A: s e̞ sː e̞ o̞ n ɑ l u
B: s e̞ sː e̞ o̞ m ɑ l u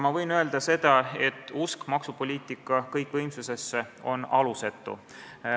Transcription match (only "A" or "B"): A